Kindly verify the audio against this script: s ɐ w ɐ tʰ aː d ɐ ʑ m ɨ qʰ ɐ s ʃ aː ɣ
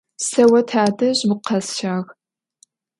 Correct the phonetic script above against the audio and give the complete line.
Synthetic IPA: s ɐ w ɐ tʰ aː d ɐ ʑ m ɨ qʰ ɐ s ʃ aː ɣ